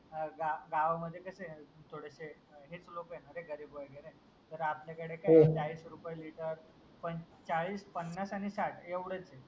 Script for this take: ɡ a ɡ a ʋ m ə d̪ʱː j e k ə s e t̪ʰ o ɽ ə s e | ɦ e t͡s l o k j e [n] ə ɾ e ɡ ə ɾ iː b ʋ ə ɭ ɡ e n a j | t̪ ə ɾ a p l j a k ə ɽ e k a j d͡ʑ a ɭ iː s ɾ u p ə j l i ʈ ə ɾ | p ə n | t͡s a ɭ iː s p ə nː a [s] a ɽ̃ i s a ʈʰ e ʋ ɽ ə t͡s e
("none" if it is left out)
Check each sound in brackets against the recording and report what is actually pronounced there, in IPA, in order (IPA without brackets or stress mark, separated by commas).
n, s